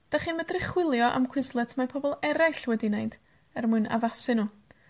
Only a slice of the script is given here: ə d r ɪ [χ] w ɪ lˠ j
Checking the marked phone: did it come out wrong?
no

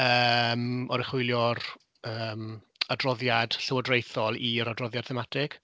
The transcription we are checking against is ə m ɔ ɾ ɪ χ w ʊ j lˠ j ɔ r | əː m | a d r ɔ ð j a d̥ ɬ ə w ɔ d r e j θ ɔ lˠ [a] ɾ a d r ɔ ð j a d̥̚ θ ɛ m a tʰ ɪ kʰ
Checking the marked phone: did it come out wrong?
yes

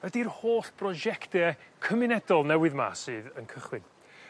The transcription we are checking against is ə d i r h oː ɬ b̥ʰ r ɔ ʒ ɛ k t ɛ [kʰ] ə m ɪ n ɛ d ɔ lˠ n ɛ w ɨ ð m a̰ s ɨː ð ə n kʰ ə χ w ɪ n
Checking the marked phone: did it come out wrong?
no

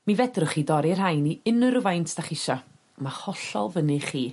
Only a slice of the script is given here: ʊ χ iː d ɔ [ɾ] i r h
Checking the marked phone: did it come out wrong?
no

